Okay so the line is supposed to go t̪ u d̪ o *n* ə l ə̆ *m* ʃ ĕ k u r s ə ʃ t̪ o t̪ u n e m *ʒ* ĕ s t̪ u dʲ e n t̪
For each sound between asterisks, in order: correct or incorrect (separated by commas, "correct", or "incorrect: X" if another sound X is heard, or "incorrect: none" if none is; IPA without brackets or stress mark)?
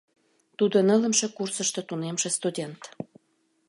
correct, correct, incorrect: ʃ